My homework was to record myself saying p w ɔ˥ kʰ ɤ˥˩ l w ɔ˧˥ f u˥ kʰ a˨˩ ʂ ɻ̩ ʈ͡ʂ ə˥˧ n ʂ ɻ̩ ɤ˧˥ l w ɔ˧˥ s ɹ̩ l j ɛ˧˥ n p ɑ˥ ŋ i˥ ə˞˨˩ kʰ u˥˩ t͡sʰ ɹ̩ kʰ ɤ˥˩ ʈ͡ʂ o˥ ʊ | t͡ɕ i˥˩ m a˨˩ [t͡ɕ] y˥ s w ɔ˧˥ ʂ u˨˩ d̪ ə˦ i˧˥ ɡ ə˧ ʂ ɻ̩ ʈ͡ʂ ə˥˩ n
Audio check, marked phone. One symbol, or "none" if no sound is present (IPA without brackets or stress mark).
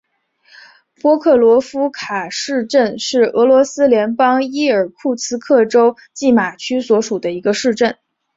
t͡ɕʰ